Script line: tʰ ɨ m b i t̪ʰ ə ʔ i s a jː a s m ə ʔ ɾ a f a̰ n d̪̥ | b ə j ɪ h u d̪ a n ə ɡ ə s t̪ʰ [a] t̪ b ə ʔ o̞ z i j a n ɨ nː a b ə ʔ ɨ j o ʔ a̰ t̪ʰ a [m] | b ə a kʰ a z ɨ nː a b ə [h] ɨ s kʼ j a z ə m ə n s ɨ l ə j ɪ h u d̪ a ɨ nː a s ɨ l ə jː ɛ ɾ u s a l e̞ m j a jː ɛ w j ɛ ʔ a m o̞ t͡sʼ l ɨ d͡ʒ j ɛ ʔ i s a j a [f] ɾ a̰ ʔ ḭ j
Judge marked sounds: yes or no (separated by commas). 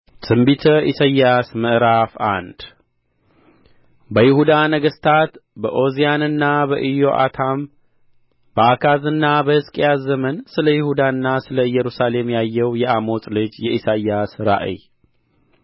yes, yes, yes, no